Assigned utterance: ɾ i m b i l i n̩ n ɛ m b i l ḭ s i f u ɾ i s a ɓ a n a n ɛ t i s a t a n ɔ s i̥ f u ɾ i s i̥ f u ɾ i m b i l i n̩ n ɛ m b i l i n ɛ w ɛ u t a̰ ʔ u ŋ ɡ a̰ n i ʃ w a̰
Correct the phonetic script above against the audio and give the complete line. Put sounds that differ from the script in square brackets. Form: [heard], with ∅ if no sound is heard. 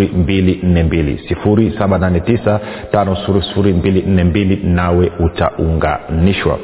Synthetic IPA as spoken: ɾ i m b i l i n̩ n ɛ m b i l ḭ s i f u ɾ i s a ɓ a n a n ɛ t i s a t a n ɔ s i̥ f u ɾ i s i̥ f u ɾ i m b i l i n̩ n ɛ m b i l i n [a] w ɛ u t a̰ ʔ u ŋ ɡ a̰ n i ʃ w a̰